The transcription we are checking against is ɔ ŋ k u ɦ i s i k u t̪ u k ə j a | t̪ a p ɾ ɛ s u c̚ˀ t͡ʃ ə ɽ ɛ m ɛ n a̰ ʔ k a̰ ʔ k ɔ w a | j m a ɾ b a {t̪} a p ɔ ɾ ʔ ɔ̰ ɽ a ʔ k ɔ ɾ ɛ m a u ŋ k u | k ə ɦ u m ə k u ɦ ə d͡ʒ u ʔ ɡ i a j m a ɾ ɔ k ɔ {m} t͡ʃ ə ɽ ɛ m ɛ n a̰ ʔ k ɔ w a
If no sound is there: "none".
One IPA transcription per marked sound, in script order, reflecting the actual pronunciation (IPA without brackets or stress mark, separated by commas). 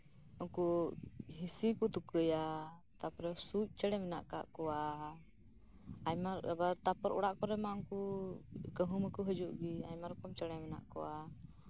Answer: t̪, m